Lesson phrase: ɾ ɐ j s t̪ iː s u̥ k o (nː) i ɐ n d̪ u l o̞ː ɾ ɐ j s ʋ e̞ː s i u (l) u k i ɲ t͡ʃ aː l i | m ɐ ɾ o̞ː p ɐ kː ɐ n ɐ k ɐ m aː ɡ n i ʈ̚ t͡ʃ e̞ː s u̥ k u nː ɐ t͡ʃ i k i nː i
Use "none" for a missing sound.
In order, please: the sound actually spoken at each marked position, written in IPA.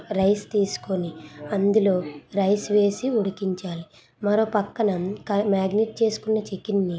n, ɽ

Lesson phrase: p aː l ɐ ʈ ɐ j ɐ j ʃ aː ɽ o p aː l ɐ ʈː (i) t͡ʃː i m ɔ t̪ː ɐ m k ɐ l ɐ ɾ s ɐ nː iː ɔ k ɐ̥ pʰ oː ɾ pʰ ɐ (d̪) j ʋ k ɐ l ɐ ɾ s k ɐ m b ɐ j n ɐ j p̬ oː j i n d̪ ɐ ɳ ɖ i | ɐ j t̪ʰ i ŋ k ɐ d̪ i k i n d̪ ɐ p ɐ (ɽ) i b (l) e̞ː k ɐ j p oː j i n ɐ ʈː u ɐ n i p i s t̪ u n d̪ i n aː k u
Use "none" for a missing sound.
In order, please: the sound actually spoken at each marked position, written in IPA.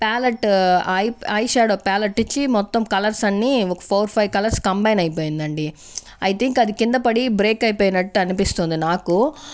i, none, ɽ, ɾ

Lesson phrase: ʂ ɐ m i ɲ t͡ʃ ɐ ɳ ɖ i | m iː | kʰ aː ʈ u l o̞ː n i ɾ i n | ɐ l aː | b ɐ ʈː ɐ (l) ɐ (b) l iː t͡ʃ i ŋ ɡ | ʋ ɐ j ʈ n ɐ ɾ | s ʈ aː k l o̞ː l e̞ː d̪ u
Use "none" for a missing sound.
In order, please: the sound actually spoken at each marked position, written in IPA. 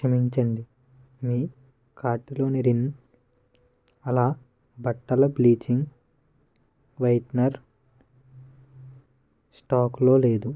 l, b

